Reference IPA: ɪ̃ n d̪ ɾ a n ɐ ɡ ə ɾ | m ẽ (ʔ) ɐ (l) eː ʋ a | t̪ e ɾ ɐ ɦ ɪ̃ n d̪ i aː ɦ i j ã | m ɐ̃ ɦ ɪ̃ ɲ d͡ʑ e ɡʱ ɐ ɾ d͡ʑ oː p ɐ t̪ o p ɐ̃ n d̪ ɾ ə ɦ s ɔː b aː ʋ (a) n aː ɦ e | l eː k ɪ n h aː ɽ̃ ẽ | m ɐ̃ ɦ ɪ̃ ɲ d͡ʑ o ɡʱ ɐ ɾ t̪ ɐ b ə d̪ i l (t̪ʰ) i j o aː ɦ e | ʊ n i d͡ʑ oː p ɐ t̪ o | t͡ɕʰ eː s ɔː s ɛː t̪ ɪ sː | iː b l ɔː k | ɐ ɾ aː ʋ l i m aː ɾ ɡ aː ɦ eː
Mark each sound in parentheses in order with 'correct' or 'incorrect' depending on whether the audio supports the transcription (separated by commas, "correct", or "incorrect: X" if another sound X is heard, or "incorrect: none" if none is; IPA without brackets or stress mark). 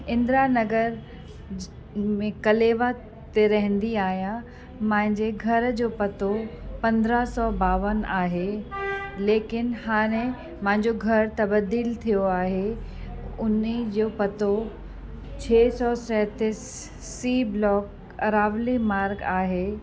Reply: incorrect: k, correct, incorrect: ə, correct